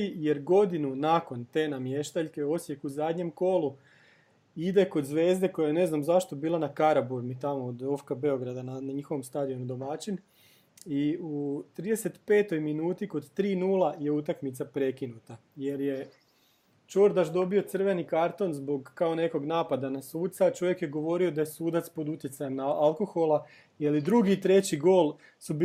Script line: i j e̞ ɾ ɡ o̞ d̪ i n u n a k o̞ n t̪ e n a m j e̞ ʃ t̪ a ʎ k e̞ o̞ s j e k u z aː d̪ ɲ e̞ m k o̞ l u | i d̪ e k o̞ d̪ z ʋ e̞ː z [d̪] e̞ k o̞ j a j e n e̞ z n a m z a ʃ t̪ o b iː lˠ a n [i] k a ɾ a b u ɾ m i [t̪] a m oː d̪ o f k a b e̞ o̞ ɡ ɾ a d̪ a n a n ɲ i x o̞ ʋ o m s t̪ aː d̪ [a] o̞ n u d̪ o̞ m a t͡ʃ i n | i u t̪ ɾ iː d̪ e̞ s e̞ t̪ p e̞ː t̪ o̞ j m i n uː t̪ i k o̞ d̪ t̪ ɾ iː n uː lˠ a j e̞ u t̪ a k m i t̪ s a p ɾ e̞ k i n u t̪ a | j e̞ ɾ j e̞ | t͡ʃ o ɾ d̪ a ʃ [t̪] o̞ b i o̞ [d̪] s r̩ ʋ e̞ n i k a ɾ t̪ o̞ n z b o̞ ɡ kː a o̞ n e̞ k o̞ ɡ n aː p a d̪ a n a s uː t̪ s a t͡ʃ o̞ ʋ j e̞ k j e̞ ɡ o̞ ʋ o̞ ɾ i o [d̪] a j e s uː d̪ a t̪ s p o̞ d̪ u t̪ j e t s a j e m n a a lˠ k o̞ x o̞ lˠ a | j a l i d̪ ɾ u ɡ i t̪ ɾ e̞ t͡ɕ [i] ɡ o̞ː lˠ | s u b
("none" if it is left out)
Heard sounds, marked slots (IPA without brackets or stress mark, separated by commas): d̪, a, t̪, i, d̪, t̪, d̪, i